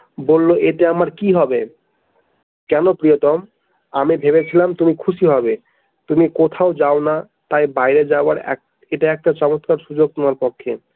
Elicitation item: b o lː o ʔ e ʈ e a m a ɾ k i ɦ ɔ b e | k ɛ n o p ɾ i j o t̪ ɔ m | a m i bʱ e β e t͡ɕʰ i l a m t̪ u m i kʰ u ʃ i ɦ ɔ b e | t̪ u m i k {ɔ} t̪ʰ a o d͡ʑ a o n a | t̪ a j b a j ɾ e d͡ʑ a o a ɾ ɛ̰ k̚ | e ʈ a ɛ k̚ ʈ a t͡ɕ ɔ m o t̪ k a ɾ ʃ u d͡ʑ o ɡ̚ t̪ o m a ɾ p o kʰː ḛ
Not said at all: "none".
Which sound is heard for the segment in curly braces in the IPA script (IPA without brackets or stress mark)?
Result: o